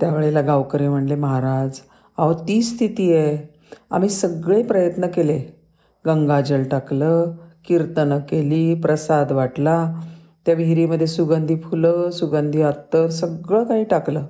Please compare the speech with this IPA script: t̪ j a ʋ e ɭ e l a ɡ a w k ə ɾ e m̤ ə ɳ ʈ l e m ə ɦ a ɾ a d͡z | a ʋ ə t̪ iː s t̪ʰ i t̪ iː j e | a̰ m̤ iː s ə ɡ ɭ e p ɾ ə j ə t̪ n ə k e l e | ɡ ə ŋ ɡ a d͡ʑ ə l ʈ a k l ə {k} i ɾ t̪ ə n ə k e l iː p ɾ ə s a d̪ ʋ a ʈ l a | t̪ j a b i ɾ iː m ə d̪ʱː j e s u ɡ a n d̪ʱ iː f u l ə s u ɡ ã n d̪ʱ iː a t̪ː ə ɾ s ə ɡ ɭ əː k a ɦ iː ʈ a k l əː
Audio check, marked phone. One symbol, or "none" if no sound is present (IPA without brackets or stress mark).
k